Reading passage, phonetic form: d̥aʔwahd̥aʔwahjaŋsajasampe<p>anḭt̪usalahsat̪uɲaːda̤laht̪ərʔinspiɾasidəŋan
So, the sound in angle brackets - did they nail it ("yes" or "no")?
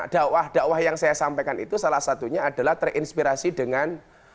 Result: no